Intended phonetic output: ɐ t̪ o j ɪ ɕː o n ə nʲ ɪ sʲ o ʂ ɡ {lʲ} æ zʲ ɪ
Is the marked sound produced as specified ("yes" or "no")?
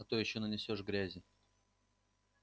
no